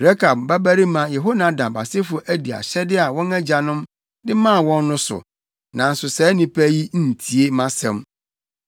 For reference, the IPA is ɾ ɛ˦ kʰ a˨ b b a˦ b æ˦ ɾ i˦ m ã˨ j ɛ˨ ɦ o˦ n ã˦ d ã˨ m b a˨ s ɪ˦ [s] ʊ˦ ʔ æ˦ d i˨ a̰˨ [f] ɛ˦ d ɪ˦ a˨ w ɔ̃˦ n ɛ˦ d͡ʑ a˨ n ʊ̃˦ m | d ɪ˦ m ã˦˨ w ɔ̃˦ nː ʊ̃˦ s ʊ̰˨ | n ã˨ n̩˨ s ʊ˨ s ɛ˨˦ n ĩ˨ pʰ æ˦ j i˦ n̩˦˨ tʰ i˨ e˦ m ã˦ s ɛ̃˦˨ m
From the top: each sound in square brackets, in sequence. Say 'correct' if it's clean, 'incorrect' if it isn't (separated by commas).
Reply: incorrect, incorrect